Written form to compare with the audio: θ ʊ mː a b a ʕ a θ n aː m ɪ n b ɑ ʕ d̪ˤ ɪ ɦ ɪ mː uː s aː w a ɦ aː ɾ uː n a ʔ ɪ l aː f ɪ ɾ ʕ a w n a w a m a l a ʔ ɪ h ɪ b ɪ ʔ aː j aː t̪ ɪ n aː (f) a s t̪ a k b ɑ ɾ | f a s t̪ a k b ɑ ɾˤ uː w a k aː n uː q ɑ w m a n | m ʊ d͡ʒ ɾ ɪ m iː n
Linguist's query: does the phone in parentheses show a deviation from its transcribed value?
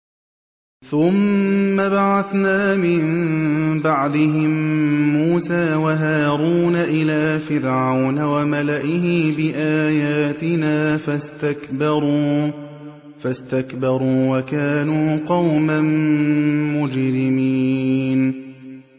no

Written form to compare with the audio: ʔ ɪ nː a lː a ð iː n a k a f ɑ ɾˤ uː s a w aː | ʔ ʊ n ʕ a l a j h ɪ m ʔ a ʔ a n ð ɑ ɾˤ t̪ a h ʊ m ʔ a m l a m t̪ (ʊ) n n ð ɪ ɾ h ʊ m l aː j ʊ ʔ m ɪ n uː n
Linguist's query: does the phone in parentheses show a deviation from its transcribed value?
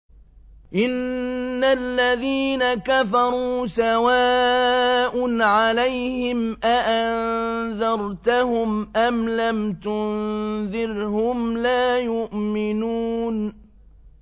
no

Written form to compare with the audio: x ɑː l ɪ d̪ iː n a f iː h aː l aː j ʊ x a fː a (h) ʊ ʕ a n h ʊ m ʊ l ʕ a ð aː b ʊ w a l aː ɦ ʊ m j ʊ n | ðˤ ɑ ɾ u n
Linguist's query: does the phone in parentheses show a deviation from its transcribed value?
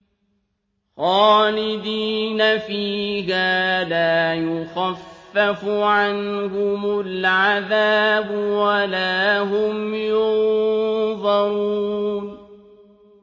yes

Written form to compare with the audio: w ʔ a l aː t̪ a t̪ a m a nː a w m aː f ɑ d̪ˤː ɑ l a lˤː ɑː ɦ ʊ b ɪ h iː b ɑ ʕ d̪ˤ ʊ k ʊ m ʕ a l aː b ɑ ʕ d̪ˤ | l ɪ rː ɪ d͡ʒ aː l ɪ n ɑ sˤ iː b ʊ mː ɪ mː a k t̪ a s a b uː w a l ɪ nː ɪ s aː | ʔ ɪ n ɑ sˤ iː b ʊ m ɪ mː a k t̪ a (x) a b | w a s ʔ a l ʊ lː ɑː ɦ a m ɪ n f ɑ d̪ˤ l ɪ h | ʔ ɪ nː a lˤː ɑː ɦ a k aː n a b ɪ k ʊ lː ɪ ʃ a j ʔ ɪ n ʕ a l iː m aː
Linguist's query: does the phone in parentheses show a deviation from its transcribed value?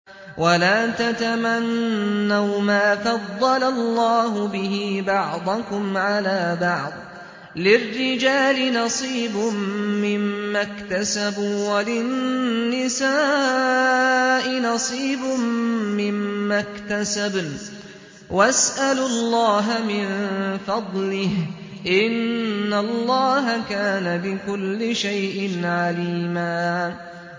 yes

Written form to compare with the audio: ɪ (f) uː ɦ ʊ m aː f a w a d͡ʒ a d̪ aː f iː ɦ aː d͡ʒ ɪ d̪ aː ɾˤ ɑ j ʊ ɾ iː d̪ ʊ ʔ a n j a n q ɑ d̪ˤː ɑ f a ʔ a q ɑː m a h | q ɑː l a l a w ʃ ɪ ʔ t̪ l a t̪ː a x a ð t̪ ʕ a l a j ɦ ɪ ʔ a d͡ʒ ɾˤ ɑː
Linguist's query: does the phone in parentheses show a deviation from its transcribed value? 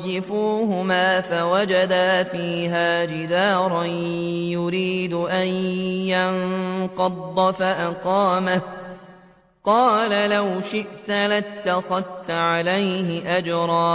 no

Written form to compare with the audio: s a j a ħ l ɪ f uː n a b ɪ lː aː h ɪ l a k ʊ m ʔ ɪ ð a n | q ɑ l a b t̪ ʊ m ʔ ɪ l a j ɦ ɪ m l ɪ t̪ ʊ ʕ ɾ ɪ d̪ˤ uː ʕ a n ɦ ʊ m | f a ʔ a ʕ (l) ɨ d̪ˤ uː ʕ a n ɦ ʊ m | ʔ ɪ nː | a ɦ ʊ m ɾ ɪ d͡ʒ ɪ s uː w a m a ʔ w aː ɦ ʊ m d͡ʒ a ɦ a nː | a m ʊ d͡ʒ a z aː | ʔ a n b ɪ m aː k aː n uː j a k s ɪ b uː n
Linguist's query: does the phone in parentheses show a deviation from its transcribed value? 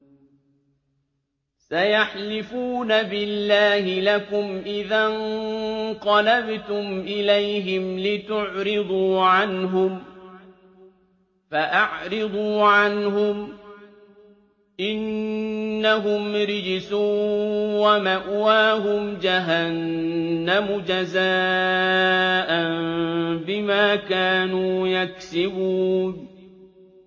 yes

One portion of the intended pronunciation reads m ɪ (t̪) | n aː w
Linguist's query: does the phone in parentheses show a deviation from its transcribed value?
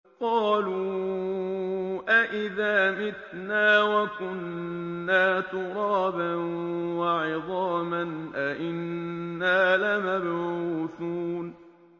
no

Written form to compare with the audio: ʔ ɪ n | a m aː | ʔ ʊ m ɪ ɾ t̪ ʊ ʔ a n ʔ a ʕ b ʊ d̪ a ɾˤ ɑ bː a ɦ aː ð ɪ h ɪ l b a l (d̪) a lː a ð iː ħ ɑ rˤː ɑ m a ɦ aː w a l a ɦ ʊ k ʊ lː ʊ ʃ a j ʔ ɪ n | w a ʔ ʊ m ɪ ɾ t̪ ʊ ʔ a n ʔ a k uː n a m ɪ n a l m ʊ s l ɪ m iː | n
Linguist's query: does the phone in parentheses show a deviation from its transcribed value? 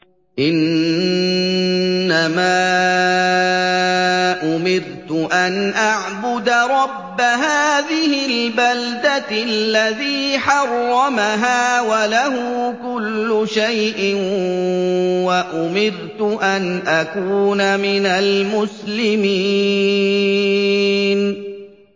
no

